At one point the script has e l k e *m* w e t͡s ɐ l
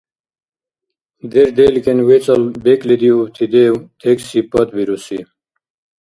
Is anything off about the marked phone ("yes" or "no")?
yes